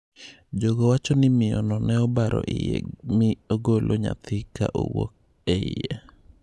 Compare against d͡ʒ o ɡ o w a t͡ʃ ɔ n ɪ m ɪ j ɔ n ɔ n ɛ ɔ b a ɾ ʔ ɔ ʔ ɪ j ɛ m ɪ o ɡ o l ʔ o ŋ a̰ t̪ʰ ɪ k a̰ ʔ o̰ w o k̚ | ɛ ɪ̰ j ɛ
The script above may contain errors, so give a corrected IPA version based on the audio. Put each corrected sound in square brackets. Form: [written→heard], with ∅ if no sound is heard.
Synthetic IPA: d͡ʒ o ɡ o w a t͡ʃ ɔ n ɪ m ɪ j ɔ n ɔ n ɛ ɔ b a ɾ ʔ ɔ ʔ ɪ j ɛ m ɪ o ɡ o l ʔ o [ŋ→ɲ] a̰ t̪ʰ ɪ k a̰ ʔ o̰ w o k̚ | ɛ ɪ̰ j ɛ